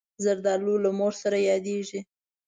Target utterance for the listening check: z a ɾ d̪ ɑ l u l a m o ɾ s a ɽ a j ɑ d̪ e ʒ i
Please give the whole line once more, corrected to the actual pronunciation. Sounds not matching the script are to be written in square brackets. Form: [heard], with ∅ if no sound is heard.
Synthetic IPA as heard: z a ɾ d̪ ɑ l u l a m o ɾ s a [ɾ] a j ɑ d̪ e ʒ i